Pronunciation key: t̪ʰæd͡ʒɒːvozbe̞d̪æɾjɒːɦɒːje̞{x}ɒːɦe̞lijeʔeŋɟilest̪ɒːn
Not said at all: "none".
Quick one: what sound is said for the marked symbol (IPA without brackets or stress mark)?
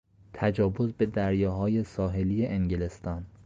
s